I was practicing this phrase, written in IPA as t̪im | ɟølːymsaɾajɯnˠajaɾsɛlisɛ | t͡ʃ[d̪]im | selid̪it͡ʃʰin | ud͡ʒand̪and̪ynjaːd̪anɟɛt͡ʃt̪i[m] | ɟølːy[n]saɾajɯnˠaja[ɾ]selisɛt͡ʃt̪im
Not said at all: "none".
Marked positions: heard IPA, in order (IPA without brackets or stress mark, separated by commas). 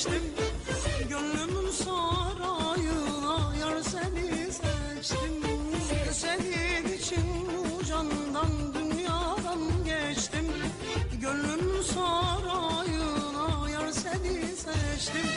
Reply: t̪, m, m, ɾ